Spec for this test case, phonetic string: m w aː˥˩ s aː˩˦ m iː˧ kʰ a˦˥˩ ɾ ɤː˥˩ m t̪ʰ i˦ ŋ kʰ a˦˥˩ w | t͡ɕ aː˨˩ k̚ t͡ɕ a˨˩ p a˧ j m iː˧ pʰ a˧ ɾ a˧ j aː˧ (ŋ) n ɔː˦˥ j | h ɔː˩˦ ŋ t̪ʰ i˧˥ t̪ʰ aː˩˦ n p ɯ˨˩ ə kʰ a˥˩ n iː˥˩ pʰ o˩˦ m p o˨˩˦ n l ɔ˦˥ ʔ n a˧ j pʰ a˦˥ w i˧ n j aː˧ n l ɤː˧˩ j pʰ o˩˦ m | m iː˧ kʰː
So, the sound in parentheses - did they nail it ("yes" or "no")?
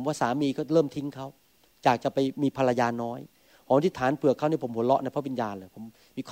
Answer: no